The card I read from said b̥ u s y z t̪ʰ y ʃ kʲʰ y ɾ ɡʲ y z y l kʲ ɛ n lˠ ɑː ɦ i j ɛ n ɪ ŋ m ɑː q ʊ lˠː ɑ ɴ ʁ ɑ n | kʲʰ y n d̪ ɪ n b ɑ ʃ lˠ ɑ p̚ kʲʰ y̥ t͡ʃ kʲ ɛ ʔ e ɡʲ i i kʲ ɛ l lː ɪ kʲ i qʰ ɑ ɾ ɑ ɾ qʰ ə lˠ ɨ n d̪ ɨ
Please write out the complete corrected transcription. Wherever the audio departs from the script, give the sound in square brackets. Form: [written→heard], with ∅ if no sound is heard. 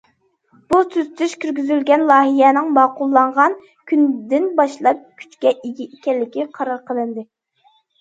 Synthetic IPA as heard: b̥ u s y z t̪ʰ y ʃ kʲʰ y ɾ ɡʲ y z y l [kʲ→ɡʲ] ɛ n lˠ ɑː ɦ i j ɛ n ɪ ŋ m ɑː q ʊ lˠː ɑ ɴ ʁ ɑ n | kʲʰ y n d̪ ɪ n b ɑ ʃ lˠ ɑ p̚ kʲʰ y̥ t͡ʃ kʲ ɛ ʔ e ɡʲ i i kʲ ɛ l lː ɪ kʲ i qʰ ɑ ɾ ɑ ɾ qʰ ə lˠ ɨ n d̪ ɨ